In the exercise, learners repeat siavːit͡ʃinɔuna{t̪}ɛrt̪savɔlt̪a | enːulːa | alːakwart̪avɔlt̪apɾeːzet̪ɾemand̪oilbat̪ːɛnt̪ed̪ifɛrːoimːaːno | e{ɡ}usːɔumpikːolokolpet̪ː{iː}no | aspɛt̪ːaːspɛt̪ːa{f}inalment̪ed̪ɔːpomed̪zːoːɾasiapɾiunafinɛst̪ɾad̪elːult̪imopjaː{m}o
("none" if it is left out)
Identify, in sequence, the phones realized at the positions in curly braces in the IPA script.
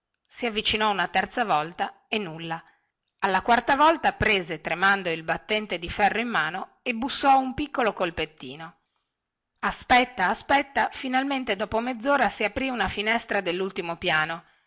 t̪, b, iː, f, n

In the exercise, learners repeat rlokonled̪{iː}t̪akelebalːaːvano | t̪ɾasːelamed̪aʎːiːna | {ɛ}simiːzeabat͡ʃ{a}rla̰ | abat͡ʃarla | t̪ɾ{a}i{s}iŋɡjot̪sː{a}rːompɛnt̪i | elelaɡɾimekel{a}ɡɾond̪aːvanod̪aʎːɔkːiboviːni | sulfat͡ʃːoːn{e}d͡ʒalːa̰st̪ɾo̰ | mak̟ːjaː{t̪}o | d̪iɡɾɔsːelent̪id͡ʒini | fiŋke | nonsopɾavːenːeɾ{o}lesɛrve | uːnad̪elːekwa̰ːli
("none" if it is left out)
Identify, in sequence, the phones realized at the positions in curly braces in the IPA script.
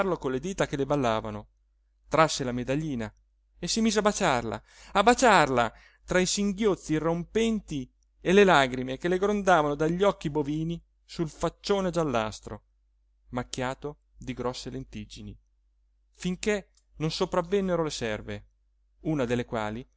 iː, e, a, a, s, i, e, e, t̪, o

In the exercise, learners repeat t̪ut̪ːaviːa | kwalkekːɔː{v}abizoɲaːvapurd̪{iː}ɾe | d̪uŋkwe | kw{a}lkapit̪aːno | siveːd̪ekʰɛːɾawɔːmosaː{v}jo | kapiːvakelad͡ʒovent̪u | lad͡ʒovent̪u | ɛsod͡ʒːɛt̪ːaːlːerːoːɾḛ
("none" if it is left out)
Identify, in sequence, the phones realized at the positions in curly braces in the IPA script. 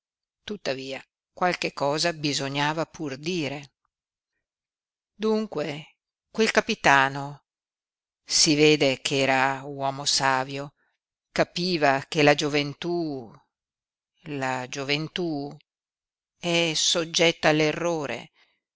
z, iː, e, v

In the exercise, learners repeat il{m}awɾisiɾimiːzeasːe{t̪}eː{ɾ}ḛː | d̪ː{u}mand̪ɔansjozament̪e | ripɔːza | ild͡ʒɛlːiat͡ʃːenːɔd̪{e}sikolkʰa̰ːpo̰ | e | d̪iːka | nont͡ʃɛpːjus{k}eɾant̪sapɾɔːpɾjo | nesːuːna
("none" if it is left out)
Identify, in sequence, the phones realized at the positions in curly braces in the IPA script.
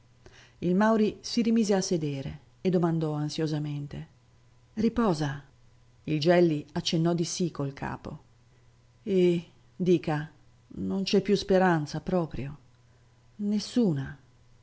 m, d̪, ɾ, o, i, p

